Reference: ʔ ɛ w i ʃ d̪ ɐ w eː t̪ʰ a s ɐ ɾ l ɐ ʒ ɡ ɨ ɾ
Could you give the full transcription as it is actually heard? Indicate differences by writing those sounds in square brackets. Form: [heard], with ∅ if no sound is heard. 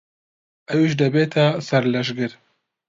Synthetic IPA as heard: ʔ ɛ w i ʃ d̪ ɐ [b] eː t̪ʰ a s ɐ ɾ l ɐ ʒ ɡ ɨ ɾ